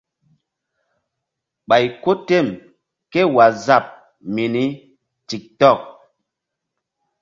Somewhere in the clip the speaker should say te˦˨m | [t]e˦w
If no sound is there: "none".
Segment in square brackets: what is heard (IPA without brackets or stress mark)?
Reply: k